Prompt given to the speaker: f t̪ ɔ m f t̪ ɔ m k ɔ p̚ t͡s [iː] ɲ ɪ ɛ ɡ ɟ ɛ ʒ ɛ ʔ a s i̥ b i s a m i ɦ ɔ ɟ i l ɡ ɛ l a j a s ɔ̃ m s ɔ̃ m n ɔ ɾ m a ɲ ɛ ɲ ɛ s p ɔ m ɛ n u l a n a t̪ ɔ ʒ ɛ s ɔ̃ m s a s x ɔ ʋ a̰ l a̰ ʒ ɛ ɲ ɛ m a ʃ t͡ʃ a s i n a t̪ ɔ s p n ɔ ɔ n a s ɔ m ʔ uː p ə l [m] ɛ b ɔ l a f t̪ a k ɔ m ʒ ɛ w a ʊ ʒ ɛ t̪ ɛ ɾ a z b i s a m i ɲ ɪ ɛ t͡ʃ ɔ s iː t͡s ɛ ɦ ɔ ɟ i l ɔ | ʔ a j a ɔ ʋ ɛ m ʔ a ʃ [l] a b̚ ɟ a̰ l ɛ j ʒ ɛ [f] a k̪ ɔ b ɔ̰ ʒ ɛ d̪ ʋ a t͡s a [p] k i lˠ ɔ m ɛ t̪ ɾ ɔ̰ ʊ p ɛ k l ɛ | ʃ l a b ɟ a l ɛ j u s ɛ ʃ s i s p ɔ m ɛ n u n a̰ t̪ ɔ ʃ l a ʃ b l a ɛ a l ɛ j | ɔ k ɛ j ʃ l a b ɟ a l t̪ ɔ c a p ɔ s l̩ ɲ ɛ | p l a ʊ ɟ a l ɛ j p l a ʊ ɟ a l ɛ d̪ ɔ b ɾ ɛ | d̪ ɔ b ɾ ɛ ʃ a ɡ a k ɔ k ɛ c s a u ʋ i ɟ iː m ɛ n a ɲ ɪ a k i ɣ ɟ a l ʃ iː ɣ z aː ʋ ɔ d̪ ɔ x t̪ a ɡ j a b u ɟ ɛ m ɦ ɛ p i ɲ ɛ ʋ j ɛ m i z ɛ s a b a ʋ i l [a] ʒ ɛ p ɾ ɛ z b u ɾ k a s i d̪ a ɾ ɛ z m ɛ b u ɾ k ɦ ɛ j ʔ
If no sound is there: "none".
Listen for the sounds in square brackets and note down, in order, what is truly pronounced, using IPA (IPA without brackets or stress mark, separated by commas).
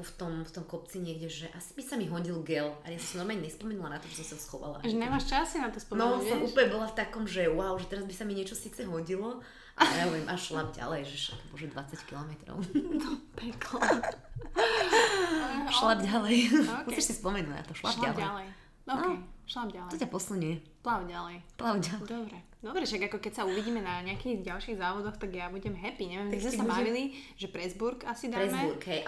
i, ɲ, l, ʃ, c, i